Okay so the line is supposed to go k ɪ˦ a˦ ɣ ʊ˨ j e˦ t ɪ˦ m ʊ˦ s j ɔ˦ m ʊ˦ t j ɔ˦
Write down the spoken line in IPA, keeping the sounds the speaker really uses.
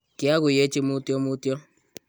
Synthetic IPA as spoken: k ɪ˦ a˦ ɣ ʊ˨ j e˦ t͡ʃ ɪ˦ m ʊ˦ t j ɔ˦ m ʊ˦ t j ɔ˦